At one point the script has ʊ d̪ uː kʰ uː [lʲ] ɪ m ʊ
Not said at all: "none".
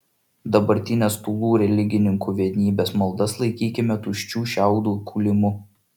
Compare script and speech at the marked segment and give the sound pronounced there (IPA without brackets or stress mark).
lʲ